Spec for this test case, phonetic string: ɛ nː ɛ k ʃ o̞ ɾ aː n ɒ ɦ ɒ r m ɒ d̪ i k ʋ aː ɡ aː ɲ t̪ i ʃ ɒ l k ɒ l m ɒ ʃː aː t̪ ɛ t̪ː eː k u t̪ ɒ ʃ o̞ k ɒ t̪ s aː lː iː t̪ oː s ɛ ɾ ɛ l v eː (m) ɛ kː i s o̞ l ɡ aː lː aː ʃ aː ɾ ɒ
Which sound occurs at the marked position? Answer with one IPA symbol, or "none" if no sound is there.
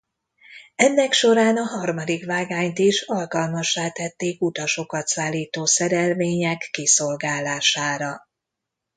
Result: ɲ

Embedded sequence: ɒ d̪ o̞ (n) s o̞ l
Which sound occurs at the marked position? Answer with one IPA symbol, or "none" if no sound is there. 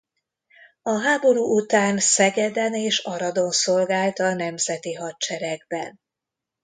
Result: n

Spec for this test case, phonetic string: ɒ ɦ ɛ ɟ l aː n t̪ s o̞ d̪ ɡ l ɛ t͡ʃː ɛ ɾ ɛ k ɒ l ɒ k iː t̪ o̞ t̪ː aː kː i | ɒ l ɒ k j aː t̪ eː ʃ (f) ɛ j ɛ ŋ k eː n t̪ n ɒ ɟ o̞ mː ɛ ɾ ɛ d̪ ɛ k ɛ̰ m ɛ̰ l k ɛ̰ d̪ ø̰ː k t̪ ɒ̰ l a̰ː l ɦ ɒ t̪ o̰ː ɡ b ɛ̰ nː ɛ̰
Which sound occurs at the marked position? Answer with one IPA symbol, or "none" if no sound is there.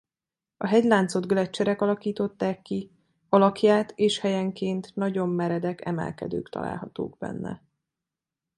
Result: h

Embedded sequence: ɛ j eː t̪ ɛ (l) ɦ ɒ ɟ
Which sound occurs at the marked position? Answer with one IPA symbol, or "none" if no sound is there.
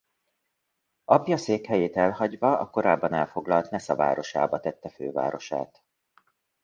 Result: l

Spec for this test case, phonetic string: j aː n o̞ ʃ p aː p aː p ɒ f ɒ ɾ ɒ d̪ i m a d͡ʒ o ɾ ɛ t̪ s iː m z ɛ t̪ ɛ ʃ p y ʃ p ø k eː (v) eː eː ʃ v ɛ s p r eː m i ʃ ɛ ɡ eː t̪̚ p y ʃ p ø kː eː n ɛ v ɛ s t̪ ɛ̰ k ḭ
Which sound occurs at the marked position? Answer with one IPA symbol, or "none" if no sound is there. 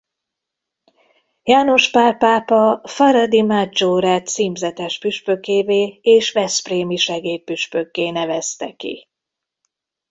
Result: v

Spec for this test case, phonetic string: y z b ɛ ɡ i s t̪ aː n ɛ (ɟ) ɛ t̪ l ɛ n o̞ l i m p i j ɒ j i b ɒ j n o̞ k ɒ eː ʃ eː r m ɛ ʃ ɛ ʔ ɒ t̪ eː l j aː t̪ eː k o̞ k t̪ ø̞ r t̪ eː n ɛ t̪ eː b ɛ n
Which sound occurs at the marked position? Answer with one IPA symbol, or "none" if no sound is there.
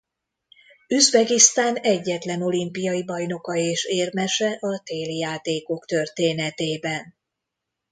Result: ɟː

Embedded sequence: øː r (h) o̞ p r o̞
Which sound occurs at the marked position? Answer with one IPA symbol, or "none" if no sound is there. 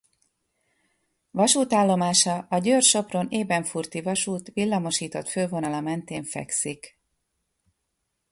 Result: ʃ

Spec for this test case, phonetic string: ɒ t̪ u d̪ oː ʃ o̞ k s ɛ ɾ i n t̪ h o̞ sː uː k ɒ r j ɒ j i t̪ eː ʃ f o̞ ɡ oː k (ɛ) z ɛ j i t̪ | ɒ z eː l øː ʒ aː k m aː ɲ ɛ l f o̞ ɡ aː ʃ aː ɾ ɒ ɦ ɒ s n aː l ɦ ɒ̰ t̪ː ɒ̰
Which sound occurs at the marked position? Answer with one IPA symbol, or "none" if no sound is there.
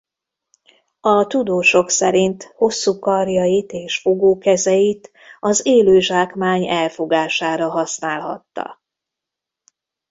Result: ɛ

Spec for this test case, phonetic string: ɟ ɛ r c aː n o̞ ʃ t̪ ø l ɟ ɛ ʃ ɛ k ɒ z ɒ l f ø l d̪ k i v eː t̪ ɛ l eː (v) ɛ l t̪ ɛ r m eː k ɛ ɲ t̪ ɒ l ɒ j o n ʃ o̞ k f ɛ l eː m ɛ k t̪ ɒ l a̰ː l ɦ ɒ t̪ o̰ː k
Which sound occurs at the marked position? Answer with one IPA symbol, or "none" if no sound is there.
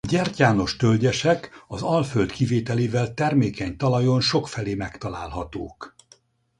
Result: v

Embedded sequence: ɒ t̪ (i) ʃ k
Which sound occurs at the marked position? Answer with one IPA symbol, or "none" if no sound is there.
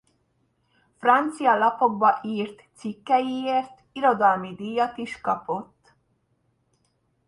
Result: i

